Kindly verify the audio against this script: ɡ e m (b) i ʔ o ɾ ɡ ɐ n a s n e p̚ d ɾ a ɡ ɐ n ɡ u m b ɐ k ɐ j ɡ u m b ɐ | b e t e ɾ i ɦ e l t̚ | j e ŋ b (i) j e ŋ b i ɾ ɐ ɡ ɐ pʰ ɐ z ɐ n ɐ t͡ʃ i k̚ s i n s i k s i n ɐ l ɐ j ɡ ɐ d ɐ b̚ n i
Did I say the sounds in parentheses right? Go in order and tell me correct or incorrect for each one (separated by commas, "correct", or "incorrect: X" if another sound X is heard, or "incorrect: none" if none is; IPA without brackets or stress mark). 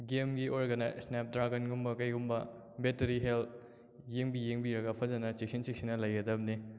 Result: incorrect: ɡ, correct